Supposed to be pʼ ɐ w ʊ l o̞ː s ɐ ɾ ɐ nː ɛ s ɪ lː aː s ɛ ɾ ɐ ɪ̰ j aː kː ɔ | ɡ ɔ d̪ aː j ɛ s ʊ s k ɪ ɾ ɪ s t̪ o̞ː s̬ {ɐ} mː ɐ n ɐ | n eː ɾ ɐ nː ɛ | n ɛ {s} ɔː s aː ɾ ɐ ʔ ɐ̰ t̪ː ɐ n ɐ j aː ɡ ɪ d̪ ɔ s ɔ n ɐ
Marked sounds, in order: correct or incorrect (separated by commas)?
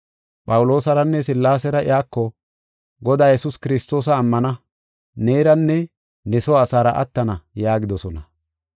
incorrect, correct